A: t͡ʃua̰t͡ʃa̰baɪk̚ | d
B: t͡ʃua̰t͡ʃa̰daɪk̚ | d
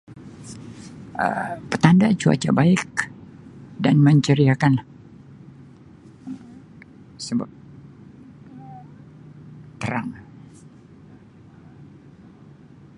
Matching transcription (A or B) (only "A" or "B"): A